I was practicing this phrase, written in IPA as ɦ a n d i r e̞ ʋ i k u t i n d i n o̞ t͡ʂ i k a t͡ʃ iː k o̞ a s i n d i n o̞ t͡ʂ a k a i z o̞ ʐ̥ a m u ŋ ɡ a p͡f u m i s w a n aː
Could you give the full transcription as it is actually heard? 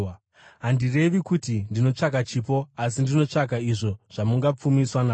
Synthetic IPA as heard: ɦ a n d i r e̞ ʋ i k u t i n d i n o̞ t͡ʂ a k a t͡ʃ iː p o̞ a s i n d i n o̞ t͡ʂ a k a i ʐ o̞ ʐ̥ a m u ŋ ɡ a p͡f u m i s w a n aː